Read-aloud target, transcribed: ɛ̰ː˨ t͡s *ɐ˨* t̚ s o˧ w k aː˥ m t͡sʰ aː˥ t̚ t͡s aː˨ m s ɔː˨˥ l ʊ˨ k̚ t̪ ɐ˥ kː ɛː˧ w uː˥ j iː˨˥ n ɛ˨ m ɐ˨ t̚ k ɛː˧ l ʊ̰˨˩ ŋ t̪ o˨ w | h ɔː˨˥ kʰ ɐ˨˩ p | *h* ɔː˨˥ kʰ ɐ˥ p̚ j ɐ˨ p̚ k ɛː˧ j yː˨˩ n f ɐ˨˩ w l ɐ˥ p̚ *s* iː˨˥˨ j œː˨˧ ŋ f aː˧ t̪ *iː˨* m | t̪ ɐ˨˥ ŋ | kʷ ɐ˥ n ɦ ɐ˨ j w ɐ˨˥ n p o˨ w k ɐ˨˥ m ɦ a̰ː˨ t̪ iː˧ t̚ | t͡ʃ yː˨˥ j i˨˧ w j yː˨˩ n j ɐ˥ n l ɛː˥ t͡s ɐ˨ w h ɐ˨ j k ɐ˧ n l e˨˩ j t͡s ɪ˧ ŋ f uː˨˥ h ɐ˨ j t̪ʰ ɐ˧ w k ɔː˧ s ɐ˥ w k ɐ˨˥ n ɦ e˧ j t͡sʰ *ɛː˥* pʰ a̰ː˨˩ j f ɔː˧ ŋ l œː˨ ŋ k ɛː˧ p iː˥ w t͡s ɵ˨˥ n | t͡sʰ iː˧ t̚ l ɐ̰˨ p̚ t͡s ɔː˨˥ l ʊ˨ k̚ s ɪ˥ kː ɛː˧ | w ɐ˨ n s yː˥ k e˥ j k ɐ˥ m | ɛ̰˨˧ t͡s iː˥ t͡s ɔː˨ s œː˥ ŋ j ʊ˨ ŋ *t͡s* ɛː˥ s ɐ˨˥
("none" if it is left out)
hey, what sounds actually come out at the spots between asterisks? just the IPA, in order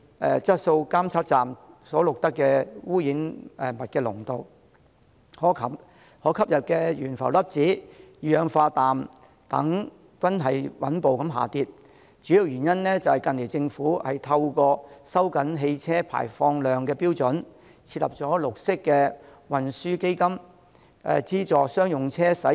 ɐ˥, h, t͡s, aː˨, ɛː˥, t͡sʰ

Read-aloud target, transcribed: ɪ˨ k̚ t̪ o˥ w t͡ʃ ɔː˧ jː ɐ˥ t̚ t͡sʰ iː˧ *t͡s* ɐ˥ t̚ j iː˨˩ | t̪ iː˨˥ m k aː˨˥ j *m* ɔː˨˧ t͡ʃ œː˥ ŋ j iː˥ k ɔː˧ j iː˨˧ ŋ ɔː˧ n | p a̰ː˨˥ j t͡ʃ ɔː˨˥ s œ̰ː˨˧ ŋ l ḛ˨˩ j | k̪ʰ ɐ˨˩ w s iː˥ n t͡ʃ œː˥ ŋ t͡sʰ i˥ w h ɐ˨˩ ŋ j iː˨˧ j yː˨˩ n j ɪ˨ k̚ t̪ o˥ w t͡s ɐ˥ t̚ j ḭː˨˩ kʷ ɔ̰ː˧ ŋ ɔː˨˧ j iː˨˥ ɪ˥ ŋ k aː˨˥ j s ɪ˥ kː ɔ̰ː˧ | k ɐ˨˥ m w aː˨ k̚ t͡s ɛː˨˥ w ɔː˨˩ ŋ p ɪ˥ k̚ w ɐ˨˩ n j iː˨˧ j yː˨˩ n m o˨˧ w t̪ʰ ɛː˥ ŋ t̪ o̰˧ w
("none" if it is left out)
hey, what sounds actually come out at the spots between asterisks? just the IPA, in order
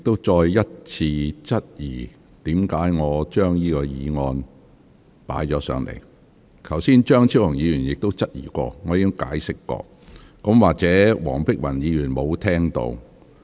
t͡s, ŋ

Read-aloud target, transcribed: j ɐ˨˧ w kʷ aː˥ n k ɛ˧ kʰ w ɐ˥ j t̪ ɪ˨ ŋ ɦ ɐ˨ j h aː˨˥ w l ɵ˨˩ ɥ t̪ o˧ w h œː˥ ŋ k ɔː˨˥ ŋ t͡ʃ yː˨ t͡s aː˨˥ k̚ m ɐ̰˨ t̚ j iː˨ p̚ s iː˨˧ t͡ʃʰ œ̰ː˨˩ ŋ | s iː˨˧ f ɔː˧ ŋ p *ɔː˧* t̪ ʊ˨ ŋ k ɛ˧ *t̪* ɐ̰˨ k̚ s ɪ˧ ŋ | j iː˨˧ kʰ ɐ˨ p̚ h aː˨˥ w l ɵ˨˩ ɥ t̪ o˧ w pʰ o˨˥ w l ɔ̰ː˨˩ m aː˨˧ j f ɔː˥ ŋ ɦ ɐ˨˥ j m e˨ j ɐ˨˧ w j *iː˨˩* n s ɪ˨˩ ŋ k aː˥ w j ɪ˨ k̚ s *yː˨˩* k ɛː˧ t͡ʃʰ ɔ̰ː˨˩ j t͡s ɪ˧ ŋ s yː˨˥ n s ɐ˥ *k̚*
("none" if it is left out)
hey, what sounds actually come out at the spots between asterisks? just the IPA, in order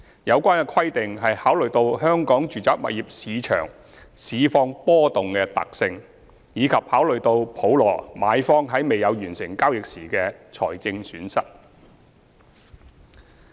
ɔː˥, t̪, yː˨˩, iː˨˩, t̚

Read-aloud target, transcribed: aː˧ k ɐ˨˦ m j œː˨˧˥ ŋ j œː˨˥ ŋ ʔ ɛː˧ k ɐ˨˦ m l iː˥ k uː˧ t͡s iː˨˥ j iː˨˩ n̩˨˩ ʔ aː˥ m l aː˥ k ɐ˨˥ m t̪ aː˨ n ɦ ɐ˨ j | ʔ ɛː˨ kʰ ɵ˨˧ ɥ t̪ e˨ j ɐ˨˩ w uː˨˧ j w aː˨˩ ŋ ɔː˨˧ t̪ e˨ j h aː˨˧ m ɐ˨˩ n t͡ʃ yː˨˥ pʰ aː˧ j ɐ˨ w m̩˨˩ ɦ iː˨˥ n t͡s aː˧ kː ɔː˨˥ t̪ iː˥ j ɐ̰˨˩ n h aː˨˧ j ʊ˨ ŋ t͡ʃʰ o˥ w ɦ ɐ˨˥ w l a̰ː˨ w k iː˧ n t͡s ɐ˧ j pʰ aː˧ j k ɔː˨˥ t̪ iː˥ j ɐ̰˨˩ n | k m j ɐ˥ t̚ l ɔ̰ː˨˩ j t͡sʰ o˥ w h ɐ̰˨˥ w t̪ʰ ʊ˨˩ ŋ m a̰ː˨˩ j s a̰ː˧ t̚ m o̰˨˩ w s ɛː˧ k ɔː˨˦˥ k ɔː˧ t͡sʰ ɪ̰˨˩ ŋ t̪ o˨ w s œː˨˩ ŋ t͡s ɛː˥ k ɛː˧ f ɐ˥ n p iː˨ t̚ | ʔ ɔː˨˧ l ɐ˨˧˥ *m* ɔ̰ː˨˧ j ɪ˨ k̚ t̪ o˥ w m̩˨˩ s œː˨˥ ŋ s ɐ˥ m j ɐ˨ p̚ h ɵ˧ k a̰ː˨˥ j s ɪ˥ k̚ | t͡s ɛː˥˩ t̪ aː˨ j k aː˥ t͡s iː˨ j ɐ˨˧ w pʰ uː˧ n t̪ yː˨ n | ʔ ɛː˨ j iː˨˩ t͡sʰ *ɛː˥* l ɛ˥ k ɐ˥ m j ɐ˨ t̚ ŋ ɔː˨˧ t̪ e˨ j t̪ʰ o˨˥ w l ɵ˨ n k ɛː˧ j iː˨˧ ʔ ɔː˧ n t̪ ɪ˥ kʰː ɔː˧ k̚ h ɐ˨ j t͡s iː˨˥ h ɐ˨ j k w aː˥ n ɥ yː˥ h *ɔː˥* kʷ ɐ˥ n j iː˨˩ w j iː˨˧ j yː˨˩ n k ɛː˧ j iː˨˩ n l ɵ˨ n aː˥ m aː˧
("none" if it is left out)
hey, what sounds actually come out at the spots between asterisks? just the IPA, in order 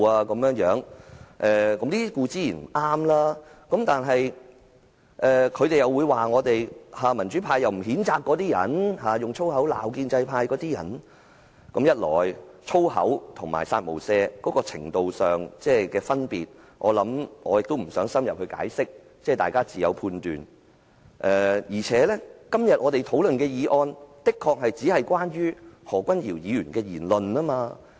m, ɛː˨˥, ɔː˨˩

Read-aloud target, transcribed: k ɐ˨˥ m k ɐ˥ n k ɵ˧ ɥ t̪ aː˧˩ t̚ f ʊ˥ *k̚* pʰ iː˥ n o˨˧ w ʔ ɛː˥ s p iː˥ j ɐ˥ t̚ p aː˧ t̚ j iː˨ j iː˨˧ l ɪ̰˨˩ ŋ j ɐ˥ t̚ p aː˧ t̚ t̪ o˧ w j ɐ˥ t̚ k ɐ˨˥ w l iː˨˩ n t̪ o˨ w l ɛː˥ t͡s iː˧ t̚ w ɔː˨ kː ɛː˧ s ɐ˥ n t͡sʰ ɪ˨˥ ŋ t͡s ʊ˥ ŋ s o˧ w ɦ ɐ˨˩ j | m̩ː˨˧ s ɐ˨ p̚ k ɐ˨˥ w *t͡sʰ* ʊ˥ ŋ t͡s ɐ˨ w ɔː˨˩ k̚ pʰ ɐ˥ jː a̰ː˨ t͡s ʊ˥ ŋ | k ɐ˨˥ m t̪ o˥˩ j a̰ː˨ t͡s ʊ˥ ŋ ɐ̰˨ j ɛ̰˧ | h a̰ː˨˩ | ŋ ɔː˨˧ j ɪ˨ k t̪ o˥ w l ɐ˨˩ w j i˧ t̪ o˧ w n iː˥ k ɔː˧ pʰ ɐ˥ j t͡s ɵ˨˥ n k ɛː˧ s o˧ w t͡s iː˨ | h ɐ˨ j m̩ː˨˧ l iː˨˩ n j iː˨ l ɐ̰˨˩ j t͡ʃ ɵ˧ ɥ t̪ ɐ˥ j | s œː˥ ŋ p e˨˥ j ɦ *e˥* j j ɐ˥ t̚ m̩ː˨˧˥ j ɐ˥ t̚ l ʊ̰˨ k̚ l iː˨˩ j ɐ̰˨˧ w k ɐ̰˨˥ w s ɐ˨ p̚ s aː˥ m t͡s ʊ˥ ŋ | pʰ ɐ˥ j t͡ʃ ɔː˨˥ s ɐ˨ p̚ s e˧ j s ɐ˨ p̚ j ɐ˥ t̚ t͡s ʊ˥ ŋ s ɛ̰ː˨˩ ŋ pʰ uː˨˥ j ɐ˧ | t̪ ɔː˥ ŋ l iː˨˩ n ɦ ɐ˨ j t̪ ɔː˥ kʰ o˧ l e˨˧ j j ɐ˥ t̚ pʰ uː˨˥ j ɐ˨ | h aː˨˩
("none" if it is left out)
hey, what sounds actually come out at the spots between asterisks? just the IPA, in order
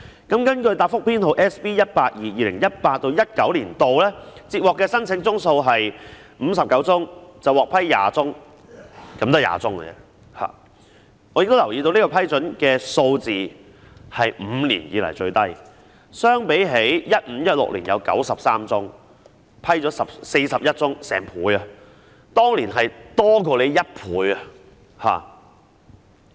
k̚, t͡s, e˨˥

